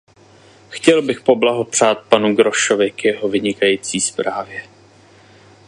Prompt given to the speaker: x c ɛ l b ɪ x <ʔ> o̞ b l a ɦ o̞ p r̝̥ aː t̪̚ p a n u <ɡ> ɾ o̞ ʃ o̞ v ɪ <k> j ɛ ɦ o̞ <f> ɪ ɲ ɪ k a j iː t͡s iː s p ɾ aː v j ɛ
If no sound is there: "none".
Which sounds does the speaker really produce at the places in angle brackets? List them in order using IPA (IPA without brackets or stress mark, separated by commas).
p, ɡ, k, v